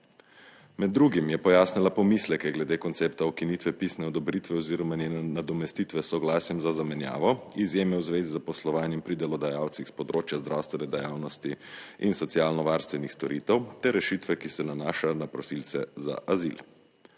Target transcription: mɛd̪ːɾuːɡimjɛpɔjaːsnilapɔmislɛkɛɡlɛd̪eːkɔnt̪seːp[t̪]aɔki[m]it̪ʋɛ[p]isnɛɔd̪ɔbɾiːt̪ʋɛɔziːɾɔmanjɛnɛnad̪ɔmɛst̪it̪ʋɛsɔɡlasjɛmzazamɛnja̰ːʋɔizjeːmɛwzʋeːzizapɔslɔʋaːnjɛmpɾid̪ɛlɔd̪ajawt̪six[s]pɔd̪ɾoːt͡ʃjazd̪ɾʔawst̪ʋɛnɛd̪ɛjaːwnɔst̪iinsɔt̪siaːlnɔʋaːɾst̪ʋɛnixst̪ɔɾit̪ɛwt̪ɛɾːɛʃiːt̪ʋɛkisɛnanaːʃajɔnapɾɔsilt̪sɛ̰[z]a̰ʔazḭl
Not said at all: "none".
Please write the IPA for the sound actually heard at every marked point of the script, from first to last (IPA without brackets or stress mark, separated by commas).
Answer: t̪, n, p, s, z